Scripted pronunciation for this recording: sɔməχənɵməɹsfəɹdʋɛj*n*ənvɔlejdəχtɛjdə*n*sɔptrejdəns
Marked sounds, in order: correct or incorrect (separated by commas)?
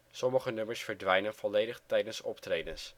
correct, correct